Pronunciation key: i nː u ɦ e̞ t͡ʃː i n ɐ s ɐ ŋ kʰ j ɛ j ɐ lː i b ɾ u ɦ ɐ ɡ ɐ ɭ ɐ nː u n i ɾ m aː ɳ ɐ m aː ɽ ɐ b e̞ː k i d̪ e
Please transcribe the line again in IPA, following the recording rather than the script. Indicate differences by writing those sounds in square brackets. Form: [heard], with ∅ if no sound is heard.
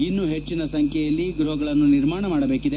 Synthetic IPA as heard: i nː u ɦ e̞ t͡ʃː i n ɐ s ɐ ŋ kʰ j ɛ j ɐ lː i [ɡ] ɾ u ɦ ɐ ɡ ɐ ɭ ɐ nː u n i ɾ m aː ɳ ɐ m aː ɽ ɐ b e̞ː k i d̪ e